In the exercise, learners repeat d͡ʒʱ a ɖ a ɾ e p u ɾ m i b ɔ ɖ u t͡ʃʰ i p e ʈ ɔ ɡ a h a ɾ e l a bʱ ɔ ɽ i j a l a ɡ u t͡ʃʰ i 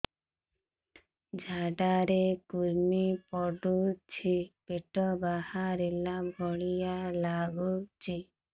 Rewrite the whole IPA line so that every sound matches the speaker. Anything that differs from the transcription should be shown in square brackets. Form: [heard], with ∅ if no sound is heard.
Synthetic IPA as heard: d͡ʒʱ a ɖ a ɾ e [k] u ɾ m i [p] ɔ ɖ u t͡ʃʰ i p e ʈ ɔ [b] a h a ɾ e l a bʱ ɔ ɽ i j a l a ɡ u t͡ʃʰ i